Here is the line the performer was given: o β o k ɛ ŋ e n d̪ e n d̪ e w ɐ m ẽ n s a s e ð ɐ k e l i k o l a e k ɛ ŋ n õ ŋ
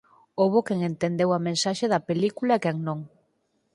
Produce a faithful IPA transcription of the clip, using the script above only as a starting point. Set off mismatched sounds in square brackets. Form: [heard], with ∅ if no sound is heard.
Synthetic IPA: o β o k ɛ ŋ e n [t̪] e n d̪ e w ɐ m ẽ n s a [ʃ] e ð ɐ [p] e l i k [u] l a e k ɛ ŋ n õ ŋ